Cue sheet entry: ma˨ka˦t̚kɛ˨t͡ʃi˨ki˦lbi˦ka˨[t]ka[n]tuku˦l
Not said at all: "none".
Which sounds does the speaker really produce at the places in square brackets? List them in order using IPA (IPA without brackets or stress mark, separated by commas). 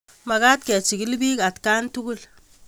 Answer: t, n